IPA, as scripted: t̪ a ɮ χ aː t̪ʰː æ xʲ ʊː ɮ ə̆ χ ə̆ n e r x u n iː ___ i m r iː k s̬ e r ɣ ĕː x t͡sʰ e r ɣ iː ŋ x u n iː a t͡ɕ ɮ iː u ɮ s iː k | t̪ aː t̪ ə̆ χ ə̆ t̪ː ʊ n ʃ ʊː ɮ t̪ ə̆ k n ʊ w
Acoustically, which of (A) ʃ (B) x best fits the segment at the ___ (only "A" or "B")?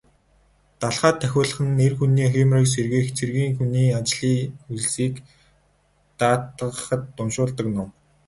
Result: B